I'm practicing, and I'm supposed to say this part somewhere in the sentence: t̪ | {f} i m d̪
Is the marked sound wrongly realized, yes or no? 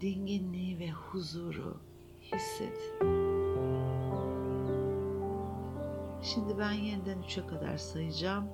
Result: yes